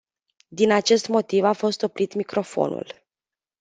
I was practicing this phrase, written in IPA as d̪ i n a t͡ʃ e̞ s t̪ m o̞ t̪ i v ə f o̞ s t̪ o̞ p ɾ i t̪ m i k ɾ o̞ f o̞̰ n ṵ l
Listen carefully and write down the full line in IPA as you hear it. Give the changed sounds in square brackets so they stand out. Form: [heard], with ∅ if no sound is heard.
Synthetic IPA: d̪ i n a t͡ʃ e̞ s t̪ m o̞ t̪ i v [a] f o̞ s t̪ o̞ p ɾ i t̪ m i k ɾ o̞ f o̞̰ n ṵ l